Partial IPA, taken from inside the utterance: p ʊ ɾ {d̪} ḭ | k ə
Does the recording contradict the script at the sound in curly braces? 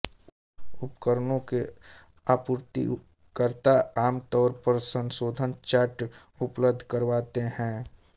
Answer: yes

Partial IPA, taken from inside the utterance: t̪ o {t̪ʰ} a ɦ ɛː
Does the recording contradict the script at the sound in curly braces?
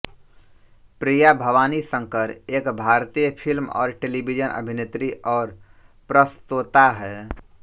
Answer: yes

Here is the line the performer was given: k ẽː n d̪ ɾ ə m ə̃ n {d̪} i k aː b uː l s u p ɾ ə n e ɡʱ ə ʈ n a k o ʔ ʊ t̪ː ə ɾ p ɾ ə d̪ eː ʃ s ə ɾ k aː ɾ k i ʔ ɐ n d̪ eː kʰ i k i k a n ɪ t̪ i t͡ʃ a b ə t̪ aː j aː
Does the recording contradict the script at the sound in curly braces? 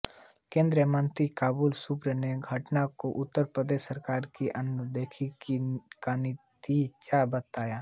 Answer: yes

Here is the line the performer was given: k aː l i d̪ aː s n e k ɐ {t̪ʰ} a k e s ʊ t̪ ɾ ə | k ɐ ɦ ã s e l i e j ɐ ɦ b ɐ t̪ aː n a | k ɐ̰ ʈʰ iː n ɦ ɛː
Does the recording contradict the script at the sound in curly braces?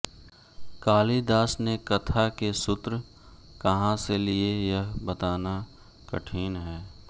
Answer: no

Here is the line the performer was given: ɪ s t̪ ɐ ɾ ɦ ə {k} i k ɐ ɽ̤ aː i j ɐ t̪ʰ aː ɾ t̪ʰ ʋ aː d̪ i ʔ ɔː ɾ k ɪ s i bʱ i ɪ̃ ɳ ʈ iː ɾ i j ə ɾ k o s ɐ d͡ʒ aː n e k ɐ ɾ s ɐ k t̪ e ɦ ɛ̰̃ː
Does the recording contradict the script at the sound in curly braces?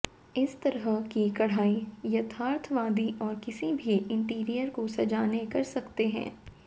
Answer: no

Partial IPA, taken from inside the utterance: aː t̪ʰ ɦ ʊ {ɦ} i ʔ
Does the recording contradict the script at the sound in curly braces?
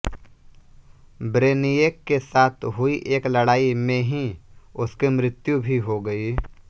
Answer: yes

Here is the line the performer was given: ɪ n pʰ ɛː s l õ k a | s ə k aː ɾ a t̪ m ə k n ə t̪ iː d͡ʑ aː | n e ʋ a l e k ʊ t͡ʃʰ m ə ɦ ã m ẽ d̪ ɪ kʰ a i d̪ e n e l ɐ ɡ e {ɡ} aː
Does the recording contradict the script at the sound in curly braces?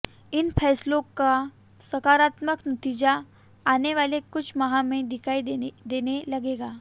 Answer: no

